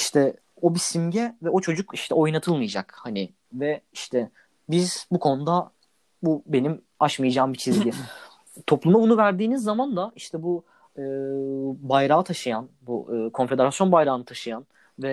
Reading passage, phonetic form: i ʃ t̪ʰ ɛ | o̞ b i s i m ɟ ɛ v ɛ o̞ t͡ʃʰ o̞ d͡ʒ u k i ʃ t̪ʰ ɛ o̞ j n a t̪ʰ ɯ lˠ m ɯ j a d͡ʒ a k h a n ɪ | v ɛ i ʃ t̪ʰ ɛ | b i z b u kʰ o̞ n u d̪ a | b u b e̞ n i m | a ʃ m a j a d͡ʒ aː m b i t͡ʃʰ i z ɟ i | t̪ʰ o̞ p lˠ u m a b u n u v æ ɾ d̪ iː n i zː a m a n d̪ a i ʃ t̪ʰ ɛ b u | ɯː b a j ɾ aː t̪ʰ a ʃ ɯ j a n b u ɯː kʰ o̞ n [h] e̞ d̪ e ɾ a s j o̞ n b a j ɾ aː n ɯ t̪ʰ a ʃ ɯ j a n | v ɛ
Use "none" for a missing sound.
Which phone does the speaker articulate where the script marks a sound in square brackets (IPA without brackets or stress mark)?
f